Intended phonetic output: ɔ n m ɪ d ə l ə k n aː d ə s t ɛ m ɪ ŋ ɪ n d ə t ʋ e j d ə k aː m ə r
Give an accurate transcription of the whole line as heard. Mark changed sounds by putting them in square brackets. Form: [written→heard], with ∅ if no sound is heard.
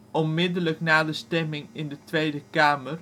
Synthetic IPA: ɔ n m ɪ d ə l ə k n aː d ə s t ɛ m ɪ ŋ ɪ n d ə t ʋ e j d ə k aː m ə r